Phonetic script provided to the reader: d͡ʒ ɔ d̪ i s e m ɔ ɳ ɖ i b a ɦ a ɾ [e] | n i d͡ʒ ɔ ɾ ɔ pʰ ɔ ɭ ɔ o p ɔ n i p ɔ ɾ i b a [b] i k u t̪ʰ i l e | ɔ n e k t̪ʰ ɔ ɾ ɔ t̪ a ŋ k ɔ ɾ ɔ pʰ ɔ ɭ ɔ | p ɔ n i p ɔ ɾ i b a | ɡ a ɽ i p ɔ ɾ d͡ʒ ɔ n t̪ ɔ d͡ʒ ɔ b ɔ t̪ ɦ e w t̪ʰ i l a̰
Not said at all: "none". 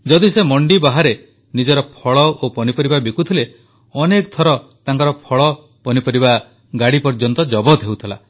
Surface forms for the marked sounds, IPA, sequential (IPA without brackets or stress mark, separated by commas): e, b